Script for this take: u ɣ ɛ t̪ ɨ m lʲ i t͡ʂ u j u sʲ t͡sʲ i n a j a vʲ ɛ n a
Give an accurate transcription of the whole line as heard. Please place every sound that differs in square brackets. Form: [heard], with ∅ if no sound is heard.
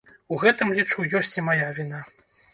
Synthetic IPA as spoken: u ɣ ɛ t̪ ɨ m lʲ i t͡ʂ u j [ɔ] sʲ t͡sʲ i [m] a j a vʲ [i] n a